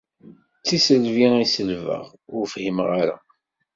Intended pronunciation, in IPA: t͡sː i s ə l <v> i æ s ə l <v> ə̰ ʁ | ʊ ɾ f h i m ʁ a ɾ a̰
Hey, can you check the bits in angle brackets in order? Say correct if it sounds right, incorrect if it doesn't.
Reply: correct, correct

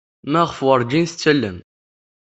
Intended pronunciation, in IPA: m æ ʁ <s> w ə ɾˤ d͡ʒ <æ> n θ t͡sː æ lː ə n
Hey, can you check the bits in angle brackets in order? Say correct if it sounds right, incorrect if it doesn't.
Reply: incorrect, incorrect

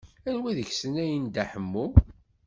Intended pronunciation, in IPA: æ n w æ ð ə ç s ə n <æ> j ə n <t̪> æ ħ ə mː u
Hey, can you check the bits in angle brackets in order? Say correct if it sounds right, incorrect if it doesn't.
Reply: correct, incorrect

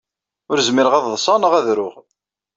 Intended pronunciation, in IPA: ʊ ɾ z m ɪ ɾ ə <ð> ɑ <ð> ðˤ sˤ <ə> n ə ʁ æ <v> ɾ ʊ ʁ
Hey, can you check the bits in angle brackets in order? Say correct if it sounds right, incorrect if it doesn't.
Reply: incorrect, correct, incorrect, incorrect

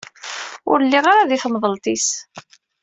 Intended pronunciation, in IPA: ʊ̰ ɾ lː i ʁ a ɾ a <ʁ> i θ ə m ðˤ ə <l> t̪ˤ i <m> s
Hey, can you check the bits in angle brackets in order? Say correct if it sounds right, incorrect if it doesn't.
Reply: incorrect, correct, incorrect

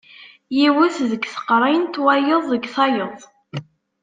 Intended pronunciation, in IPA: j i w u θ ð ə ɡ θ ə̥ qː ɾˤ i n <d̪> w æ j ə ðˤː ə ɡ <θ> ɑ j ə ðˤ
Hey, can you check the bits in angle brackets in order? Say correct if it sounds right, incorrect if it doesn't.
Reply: incorrect, correct

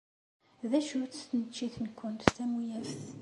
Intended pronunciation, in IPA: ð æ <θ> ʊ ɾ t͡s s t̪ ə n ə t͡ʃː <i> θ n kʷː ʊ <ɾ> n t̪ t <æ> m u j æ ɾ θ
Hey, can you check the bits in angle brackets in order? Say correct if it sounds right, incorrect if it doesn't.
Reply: incorrect, correct, incorrect, correct

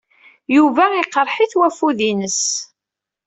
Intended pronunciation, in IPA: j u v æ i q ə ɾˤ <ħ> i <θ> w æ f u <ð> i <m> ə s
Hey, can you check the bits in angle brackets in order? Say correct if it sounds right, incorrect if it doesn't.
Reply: correct, correct, correct, incorrect

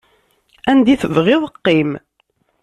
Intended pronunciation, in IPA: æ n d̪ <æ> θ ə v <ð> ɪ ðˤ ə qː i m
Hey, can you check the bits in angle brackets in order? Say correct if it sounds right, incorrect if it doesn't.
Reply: incorrect, incorrect

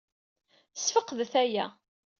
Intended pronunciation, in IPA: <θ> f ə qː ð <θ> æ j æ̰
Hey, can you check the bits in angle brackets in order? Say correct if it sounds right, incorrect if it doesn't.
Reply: incorrect, correct

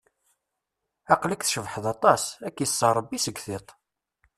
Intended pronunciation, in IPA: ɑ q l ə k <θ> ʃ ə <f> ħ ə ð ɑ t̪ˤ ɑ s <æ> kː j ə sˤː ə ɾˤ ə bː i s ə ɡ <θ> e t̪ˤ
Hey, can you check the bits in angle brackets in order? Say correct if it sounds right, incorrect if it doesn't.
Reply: correct, incorrect, correct, correct

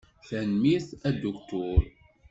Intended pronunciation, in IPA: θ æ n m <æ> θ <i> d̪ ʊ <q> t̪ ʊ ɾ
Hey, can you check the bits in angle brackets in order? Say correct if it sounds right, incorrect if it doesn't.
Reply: incorrect, incorrect, incorrect

